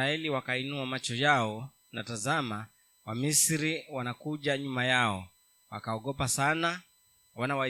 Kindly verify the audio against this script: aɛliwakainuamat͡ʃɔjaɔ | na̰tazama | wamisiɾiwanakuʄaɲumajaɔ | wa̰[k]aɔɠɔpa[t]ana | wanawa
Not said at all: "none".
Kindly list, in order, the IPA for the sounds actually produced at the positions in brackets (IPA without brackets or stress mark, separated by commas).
k, s